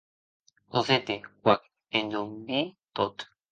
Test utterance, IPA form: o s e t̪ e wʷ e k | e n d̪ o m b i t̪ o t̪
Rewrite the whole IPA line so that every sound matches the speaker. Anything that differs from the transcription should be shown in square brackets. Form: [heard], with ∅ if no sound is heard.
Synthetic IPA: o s e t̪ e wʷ [a] k | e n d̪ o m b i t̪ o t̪